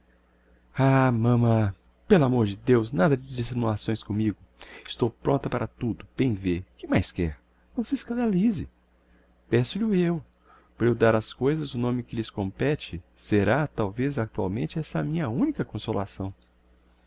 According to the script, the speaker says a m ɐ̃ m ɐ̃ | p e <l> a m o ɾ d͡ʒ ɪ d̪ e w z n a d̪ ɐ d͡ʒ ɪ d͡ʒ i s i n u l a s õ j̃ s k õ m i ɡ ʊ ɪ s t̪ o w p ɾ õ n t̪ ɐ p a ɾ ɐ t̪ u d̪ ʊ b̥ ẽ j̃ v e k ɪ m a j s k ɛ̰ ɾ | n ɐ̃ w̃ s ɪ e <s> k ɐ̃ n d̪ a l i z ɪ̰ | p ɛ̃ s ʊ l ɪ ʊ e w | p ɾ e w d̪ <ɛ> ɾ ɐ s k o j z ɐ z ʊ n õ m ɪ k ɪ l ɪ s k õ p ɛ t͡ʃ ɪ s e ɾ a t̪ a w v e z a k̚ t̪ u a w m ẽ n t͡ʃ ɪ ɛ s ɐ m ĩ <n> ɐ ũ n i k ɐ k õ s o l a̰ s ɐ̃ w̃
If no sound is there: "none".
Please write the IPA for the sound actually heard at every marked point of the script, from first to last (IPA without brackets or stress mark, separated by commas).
l, s, a, ɲ